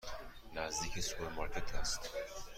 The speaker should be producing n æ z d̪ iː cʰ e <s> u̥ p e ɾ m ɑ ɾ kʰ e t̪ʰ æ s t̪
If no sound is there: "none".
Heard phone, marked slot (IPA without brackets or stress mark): s